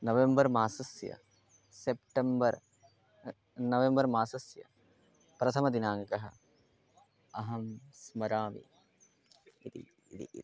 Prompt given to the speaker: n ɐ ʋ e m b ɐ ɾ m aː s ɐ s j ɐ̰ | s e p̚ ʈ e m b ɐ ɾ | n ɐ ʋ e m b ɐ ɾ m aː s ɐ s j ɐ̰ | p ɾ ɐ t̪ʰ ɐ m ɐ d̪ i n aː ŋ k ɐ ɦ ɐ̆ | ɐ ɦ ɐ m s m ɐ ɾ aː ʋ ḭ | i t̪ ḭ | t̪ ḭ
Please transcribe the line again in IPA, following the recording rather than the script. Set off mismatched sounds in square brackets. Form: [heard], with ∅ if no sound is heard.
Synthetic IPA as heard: n ɐ ʋ e m b ɐ ɾ m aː s ɐ s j ɐ̰ | s e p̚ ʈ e m b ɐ ɾ | n ɐ ʋ e m b ɐ ɾ m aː s ɐ s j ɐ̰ | p ɾ ɐ t̪ʰ ɐ m ɐ d̪ i n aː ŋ k ɐ ɦ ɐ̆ | ɐ ɦ ɐ m s m ɐ ɾ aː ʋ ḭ | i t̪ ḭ | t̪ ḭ